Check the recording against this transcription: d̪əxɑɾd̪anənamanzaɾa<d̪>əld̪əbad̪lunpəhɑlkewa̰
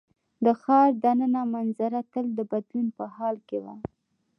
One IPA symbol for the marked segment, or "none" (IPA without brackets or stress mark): t̪